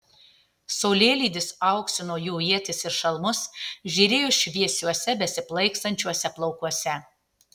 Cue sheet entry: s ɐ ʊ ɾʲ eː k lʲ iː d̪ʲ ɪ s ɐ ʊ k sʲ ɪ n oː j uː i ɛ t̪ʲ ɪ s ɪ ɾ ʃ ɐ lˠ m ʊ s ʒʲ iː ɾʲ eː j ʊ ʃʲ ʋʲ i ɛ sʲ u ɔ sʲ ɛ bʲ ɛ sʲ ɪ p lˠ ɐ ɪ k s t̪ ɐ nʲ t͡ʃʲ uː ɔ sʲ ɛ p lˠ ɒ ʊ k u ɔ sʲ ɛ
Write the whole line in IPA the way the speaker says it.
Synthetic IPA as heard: s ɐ ʊ lʲ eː lʲ iː d̪ʲ ɪ s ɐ ʊ k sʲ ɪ n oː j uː i ɛ t̪ʲ ɪ s ɪ ɾ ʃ ɐ lˠ m ʊ s ʒʲ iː ɾʲ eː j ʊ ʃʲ ʋʲ i ɛ sʲ u ɔ sʲ ɛ bʲ ɛ sʲ ɪ p lˠ ɐ ɪ k s t̪ ɐ nʲ t͡ʃʲ u ɔ sʲ ɛ p lˠ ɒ ʊ k u ɔ sʲ ɛ